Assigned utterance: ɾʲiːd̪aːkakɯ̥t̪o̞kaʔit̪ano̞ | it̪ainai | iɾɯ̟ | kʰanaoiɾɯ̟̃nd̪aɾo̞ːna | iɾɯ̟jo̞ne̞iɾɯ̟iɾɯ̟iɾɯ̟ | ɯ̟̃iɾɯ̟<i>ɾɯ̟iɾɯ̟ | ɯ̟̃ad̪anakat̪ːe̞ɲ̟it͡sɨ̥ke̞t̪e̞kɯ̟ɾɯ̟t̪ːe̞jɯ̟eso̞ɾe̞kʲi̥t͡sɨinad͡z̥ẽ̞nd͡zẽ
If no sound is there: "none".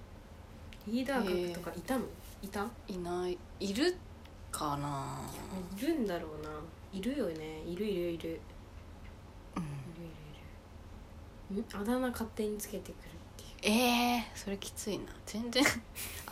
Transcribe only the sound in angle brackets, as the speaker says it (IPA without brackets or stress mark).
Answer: i